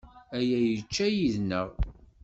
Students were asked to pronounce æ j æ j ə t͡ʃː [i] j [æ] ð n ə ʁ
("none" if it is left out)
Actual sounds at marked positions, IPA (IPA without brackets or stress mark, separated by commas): æ, i